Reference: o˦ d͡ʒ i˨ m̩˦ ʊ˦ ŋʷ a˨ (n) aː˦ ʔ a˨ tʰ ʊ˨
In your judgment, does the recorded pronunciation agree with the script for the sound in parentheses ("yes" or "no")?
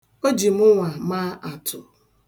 no